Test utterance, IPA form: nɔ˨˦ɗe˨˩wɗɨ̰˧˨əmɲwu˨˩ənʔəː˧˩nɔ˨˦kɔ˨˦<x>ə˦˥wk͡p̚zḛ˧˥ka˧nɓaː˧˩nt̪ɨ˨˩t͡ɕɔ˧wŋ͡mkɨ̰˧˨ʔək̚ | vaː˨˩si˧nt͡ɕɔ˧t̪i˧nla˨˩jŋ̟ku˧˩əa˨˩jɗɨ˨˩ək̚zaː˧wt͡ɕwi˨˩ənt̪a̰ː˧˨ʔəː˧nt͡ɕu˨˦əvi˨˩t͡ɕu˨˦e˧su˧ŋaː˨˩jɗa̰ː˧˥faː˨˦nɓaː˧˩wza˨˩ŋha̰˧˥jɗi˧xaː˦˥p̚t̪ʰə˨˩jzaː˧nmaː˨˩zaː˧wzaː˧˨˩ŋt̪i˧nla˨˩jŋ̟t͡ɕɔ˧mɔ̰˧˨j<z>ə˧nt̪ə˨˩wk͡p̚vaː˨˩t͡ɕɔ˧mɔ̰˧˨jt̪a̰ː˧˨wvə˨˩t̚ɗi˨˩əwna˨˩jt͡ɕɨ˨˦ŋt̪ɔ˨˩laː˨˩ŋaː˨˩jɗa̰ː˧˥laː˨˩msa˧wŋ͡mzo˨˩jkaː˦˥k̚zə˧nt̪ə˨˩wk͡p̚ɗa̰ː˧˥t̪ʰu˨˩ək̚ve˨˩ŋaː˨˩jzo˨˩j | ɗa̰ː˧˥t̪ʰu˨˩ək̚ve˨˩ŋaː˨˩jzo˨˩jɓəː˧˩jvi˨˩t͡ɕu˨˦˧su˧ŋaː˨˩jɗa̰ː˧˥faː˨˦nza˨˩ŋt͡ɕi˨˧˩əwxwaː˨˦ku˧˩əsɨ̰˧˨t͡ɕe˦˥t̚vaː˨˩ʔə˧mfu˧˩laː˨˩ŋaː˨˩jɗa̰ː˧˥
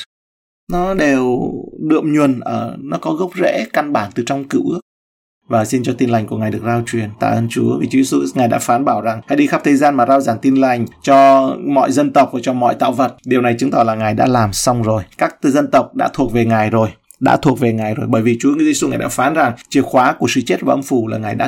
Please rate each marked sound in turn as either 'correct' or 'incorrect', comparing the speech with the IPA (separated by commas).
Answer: incorrect, correct